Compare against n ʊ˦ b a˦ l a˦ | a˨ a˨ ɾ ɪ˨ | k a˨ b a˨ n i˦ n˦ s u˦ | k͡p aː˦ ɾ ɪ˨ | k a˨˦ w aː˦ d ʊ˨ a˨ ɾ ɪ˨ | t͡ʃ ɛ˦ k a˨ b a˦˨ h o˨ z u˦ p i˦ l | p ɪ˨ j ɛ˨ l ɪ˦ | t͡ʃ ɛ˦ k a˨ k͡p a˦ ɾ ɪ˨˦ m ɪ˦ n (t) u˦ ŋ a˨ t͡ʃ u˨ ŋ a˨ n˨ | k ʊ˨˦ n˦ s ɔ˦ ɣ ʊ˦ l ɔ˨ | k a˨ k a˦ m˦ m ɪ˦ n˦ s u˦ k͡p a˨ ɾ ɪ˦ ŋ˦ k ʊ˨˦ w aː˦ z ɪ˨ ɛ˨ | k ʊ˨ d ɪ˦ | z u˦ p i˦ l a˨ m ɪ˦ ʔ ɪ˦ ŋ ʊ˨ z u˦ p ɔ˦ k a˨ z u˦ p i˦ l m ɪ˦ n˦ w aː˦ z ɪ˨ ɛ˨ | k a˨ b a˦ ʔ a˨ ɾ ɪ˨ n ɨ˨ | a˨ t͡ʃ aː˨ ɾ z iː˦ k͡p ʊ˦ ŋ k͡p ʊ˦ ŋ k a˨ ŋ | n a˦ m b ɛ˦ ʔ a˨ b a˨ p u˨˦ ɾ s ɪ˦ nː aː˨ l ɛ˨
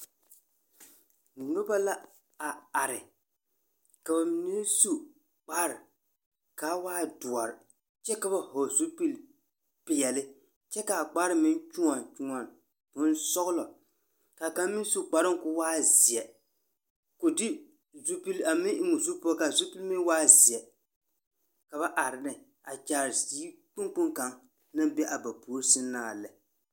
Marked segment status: incorrect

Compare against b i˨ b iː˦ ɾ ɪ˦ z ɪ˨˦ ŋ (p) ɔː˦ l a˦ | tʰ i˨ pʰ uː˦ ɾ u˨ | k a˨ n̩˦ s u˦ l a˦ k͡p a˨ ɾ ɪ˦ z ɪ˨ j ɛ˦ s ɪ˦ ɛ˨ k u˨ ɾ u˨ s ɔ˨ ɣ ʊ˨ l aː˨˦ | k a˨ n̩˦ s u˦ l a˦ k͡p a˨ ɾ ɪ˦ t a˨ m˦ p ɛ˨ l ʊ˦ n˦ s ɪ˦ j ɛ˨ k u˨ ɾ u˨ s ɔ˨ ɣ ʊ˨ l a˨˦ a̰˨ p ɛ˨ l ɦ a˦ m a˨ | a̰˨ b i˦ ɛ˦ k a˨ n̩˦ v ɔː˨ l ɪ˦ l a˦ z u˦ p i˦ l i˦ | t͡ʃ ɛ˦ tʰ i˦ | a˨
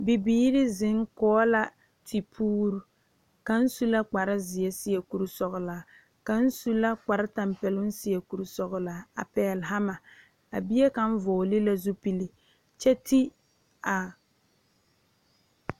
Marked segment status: incorrect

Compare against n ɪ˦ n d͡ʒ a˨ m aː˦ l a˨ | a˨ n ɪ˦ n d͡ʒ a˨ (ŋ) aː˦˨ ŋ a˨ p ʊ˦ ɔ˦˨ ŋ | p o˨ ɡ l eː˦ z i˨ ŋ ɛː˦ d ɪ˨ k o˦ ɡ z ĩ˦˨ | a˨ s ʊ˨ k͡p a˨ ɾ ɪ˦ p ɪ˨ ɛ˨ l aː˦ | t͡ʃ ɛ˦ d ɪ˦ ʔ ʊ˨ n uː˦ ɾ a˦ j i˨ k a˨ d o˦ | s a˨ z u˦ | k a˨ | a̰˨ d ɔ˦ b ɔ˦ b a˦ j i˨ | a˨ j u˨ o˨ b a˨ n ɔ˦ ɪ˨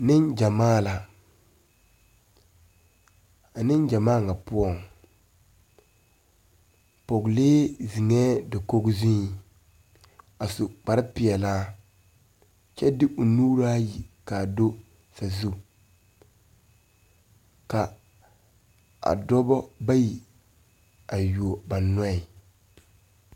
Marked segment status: incorrect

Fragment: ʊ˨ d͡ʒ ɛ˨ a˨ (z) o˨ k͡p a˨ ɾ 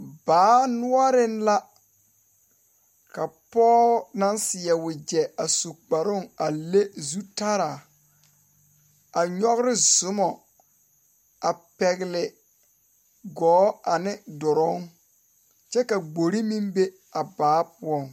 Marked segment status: incorrect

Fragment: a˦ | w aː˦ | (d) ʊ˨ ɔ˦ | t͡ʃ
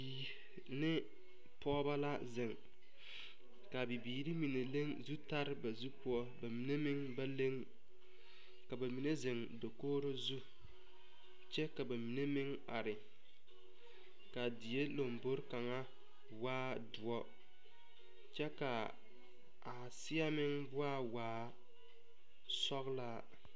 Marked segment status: correct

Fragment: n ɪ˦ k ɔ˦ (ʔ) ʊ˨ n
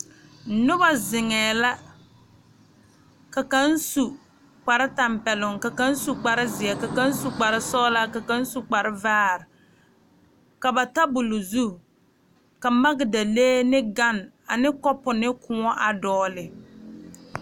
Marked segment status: incorrect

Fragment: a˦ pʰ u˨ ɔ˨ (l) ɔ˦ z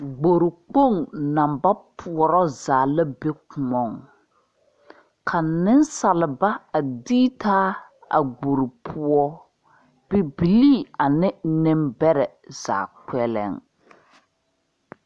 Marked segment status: incorrect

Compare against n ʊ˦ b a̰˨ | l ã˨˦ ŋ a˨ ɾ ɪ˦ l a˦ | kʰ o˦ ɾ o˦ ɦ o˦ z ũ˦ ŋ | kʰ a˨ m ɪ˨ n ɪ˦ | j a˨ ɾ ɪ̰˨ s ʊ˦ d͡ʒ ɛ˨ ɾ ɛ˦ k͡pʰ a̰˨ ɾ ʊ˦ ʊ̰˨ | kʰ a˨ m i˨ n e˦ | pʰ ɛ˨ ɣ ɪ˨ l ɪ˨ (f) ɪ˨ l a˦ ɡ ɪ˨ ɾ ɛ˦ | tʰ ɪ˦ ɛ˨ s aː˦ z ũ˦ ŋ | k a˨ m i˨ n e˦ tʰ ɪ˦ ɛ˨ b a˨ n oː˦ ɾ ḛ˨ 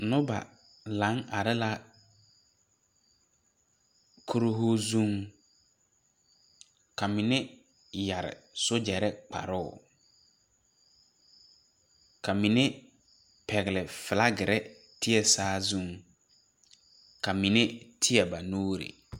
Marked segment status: correct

